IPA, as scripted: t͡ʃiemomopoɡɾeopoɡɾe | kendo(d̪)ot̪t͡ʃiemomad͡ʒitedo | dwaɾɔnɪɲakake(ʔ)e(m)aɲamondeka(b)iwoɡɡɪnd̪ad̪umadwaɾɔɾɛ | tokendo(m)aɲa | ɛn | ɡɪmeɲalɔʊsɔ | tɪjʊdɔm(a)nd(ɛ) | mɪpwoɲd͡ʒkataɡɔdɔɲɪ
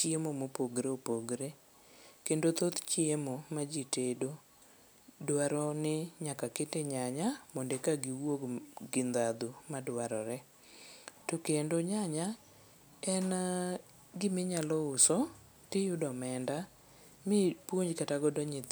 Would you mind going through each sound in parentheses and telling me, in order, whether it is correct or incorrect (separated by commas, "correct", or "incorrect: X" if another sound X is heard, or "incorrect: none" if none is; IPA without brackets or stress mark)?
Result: incorrect: t̪, incorrect: t, incorrect: ɲ, incorrect: ɡ, incorrect: ɲ, incorrect: ɛ, incorrect: a